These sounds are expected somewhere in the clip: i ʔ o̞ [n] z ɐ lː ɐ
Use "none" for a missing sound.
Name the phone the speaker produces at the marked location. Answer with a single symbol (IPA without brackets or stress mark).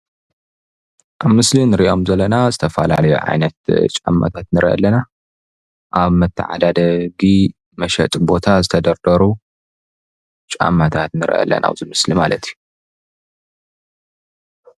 m